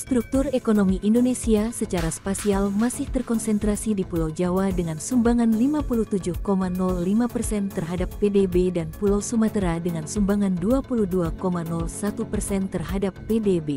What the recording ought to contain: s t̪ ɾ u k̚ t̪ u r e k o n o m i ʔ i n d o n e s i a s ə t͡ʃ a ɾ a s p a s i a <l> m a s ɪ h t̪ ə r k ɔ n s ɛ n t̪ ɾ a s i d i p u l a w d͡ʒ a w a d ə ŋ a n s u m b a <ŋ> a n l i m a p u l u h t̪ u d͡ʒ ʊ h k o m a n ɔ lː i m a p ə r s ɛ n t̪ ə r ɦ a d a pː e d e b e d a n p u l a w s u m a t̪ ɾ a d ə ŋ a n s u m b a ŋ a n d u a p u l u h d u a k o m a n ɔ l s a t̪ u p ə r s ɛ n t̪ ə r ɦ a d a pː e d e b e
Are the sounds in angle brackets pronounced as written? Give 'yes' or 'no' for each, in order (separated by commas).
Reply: yes, yes